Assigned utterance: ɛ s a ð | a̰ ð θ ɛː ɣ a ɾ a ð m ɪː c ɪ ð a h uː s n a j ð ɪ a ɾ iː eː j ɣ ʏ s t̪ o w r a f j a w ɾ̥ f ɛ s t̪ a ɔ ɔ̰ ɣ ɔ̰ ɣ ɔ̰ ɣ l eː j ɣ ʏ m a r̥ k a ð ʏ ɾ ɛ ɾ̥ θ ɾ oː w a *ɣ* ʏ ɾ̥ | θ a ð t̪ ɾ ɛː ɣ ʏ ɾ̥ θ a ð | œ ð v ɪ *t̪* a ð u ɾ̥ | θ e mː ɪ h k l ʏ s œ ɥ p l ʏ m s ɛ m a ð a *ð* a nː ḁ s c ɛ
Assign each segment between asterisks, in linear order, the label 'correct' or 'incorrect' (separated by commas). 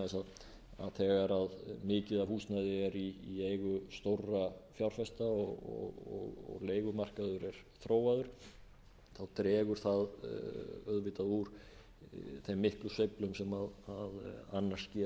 incorrect, correct, correct